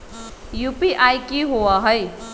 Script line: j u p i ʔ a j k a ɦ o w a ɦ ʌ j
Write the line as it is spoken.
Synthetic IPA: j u p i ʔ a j k i ɦ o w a ɦ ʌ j